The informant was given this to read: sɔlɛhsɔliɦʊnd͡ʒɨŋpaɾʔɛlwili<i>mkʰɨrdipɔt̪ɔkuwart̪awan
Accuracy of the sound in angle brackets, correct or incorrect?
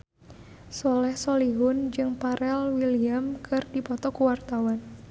incorrect